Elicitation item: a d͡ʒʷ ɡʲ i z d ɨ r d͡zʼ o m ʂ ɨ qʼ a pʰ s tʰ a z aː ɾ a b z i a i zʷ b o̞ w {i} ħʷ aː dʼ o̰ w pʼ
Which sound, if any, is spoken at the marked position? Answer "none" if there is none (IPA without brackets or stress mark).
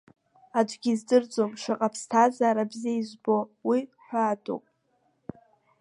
i